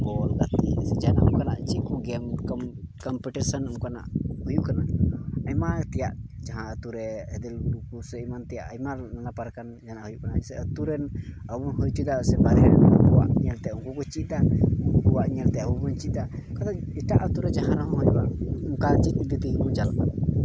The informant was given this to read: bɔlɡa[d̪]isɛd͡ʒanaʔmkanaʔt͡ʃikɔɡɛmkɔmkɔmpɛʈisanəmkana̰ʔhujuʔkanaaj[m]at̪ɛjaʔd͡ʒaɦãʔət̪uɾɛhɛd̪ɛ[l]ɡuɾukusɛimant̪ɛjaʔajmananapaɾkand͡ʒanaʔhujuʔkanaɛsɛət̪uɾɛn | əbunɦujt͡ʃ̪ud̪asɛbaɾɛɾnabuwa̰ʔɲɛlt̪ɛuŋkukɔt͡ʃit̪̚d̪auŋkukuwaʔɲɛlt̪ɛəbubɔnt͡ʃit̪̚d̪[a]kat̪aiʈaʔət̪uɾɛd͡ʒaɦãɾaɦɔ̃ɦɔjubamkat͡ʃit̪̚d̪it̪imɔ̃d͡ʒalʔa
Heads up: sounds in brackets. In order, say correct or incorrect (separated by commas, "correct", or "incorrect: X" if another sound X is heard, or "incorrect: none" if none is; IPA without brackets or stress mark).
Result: incorrect: t̪, correct, correct, correct